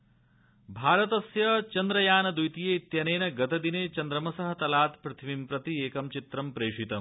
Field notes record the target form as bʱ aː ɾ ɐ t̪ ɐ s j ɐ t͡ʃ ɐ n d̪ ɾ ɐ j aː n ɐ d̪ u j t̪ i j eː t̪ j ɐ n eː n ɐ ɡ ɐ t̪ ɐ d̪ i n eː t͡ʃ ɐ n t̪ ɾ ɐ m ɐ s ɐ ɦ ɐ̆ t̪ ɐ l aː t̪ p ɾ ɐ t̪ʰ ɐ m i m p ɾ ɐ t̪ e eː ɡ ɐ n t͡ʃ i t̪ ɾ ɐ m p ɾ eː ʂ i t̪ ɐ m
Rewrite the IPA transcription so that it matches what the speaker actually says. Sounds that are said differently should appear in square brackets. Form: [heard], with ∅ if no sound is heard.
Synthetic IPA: bʱ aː ɾ ɐ t̪ ɐ s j ɐ t͡ʃ ɐ n d̪ ɾ ɐ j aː n ɐ d̪ u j t̪ i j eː t̪ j ɐ n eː n ɐ ɡ ɐ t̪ ɐ d̪ i n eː t͡ʃ ɐ n [d̪] ɾ ɐ m ɐ s ɐ ɦ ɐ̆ t̪ ɐ l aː t̪ p ɾ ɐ t̪ʰ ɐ m i m p ɾ ɐ t̪ [i] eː [k] ɐ [m] t͡ʃ i t̪ ɾ ɐ m p ɾ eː ʂ i t̪ ɐ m

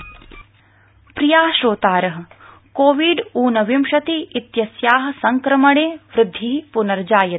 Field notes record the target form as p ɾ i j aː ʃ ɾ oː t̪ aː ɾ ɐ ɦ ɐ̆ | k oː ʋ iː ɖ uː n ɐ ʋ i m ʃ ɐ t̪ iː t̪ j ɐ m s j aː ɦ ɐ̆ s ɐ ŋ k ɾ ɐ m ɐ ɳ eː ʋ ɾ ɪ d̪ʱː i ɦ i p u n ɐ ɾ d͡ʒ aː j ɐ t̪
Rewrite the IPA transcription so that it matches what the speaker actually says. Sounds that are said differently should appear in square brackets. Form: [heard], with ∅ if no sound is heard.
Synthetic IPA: p ɾ i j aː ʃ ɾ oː t̪ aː ɾ ɐ ɦ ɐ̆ | k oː ʋ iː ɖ uː n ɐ ʋ i m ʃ ɐ t̪ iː t̪ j ɐ [∅] s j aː ɦ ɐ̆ s ɐ ŋ k ɾ ɐ m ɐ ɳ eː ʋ ɾ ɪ d̪ʱː i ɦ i p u n ɐ ɾ d͡ʒ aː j ɐ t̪

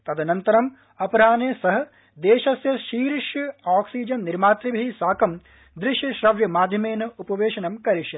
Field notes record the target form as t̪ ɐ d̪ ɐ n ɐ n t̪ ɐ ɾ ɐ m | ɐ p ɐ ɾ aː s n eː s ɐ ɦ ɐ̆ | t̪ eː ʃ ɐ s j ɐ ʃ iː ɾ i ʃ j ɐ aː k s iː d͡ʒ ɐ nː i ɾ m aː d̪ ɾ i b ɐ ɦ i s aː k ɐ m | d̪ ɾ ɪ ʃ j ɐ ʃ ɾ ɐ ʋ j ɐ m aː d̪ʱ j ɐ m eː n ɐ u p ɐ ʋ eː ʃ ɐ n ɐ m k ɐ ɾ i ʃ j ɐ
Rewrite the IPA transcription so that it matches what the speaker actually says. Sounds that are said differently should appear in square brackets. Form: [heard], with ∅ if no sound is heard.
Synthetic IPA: t̪ ɐ d̪ ɐ n ɐ n t̪ ɐ ɾ ɐ m | ɐ p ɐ ɾ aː [∅] n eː s ɐ ɦ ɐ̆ | [d̪] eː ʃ ɐ s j ɐ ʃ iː ɾ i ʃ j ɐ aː k s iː d͡ʒ ɐ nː i ɾ m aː [t̪] ɾ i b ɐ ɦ i s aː k ɐ m | d̪ ɾ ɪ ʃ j ɐ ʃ ɾ ɐ ʋ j ɐ m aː d̪ʱ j ɐ m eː n ɐ u p ɐ ʋ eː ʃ ɐ n ɐ m k ɐ ɾ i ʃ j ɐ

